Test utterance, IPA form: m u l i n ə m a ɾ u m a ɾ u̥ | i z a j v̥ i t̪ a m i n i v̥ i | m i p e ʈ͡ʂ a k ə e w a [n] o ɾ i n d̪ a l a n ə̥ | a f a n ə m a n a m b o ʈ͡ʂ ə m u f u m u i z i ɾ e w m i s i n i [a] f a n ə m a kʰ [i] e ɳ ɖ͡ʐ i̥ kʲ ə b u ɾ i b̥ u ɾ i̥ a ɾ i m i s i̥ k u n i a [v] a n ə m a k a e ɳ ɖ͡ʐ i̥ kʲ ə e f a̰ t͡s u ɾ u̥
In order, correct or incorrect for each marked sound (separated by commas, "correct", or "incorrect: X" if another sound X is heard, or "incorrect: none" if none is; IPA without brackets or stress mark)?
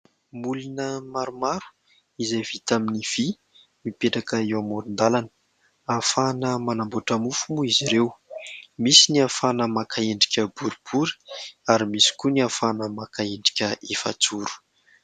incorrect: m, correct, incorrect: a, incorrect: f